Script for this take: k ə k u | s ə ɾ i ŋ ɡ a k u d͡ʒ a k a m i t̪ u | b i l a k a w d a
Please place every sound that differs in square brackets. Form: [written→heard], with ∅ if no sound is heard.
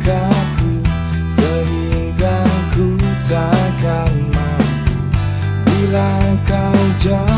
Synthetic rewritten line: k [ə→a] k u | s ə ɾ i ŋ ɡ a k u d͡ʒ a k a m [i→a] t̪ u | b i l a k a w [d→d͡ʒ] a